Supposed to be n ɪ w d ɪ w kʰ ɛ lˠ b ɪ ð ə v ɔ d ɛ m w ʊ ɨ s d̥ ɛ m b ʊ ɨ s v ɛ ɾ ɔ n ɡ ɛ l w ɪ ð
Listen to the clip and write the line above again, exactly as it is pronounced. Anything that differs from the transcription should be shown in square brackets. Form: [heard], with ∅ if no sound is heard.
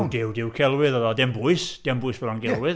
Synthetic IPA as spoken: [d] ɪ w d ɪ w kʰ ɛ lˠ [w] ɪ ð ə [ð] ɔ d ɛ m [b] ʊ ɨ s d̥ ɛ m b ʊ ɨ s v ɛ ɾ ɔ n ɡ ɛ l w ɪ ð